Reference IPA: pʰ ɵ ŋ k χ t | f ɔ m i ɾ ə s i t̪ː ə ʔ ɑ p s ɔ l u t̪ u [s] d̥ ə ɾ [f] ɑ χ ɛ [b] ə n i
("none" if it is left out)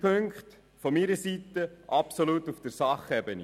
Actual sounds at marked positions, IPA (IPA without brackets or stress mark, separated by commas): f, s, b